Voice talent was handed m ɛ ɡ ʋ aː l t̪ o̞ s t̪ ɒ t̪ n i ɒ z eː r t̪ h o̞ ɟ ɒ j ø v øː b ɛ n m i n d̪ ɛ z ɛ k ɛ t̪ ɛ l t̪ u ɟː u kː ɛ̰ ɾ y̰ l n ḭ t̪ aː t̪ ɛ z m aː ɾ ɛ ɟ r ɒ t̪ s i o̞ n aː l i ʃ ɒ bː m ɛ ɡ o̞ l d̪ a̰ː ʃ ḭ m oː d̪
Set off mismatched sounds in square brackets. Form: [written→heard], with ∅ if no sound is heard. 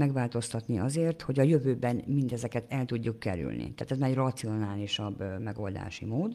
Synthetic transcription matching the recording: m ɛ ɡ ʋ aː l t̪ o̞ s t̪ ɒ t̪ n i ɒ z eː r t̪ h o̞ ɟ ɒ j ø v øː b ɛ n m i n d̪ ɛ z ɛ k ɛ t̪ ɛ l t̪ u ɟː u kː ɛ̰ ɾ y̰ l n ḭ t̪ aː t̪ ɛ z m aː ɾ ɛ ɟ r ɒ t̪ s i o̞ n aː l i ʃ ɒ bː m ɛ ɡ o̞ l d̪ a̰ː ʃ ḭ m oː d̪